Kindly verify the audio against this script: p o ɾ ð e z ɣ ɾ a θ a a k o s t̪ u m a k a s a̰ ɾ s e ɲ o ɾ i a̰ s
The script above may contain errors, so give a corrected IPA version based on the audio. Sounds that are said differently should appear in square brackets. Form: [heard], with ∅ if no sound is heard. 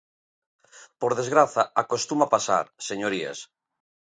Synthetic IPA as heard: p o ɾ ð e z ɣ ɾ a θ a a k o s t̪ u m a [p] a s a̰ ɾ s e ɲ o ɾ i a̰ s